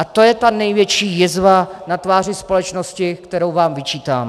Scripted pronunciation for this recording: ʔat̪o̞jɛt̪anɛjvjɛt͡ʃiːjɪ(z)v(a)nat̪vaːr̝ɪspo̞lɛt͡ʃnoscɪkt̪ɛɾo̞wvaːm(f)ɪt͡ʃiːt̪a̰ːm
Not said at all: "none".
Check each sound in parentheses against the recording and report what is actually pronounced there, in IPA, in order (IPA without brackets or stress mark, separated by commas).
z, a, v